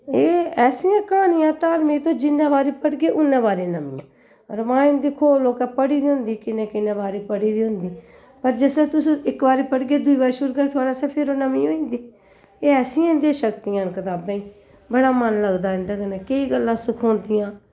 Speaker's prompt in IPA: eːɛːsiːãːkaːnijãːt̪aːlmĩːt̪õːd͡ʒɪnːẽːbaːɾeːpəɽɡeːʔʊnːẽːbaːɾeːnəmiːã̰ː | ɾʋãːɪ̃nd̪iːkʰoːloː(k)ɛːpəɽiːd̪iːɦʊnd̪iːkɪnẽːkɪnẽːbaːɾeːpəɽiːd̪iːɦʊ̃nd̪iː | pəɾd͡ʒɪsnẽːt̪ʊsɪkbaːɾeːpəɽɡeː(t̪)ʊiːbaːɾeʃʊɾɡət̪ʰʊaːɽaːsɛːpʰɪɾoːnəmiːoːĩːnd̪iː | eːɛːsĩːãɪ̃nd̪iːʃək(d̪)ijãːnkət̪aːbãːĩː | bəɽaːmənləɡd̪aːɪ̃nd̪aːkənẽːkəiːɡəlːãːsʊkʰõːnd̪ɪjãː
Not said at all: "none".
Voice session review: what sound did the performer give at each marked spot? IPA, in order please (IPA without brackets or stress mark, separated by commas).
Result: k, d̪, t̪